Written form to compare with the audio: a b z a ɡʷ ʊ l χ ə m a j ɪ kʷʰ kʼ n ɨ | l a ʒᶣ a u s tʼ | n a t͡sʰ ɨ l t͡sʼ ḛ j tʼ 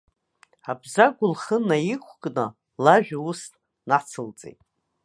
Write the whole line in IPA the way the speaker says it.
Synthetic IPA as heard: a b z a ɡʷ ʊ l χ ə n a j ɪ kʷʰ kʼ n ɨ | l a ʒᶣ a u s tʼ | n a t͡sʰ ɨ l t͡sʼ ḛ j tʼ